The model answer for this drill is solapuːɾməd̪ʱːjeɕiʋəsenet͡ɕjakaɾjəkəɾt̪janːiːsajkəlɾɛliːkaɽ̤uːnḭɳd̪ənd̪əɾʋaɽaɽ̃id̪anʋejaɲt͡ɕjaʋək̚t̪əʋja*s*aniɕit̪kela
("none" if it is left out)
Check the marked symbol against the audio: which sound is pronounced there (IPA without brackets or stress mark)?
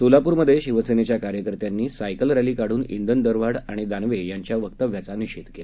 t͡s